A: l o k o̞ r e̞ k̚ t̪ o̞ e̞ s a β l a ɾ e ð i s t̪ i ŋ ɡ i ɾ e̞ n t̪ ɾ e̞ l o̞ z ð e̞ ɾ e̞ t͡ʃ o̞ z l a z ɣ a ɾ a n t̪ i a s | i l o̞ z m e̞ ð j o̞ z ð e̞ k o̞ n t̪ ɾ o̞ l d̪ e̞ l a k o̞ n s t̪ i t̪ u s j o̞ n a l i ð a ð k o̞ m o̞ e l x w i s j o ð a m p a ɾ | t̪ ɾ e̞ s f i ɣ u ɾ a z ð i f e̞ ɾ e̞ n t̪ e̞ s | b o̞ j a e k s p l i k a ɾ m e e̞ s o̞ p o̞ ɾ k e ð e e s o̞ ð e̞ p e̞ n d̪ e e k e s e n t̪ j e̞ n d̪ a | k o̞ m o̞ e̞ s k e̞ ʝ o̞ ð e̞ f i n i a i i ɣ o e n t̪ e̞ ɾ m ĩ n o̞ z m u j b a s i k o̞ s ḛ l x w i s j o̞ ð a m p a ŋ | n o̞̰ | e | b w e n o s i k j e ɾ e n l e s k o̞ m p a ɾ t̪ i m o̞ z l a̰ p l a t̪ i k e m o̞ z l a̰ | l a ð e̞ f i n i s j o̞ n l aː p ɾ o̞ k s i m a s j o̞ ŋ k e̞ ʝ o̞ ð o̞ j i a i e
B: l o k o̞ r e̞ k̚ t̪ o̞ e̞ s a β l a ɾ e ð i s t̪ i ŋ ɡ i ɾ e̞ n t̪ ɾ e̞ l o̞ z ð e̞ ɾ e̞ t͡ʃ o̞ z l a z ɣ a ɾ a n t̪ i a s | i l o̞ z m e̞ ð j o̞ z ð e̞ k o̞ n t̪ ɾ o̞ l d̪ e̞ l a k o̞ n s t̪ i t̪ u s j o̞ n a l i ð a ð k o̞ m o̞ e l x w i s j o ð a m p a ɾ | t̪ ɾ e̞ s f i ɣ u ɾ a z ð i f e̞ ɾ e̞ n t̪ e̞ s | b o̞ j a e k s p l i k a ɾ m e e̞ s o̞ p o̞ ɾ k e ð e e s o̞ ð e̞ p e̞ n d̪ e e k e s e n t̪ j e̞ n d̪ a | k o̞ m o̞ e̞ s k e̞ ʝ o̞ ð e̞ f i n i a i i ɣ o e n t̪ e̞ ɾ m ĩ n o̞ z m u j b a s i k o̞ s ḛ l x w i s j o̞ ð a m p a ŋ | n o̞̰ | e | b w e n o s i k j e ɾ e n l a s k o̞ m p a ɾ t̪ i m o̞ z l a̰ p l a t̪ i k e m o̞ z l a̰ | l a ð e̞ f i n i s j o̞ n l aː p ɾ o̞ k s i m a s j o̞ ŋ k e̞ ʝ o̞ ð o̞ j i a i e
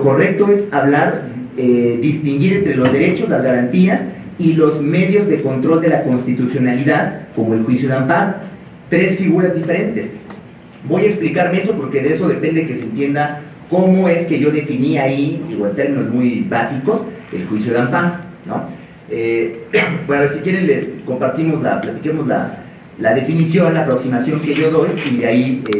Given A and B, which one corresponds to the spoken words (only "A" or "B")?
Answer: A